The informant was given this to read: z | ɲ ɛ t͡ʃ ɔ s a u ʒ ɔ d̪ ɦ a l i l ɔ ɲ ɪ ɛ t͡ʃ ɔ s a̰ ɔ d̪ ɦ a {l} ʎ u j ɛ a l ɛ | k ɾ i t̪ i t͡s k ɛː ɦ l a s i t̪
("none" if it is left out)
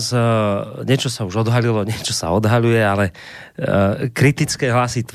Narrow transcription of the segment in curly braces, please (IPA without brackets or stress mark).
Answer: none